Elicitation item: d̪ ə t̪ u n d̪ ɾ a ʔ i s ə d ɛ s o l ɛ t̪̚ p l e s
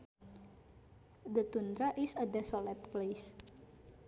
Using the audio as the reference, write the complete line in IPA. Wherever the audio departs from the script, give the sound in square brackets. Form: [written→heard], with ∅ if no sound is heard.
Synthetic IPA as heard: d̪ ə t̪ u n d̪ ɾ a ʔ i s ə d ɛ s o l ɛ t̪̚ p l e s